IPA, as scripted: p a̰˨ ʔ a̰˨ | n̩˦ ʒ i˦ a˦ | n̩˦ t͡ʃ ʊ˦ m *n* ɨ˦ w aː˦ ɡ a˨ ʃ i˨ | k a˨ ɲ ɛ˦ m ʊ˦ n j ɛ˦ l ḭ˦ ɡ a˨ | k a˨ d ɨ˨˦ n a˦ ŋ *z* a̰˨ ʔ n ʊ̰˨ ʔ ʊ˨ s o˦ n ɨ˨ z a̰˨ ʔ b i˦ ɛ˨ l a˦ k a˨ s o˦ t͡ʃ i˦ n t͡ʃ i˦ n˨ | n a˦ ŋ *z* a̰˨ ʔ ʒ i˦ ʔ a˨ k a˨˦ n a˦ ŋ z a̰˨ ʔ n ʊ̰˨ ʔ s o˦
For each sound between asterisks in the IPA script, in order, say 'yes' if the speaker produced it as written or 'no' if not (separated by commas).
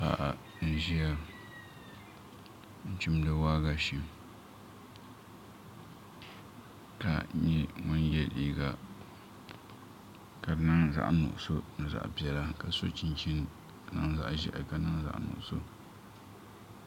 no, yes, yes